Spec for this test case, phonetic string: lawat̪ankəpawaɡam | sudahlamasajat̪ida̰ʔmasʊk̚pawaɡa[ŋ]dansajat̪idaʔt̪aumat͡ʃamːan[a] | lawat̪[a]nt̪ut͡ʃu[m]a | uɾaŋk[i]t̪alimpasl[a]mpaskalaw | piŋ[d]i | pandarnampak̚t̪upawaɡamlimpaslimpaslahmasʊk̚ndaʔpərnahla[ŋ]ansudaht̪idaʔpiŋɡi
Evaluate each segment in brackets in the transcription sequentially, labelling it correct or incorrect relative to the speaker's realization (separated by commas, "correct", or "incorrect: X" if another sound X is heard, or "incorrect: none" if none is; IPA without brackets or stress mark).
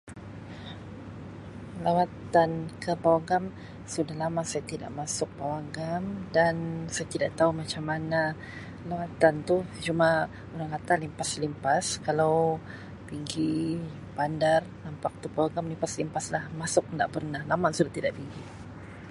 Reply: incorrect: m, correct, correct, correct, incorrect: a, incorrect: i, incorrect: ɡ, incorrect: m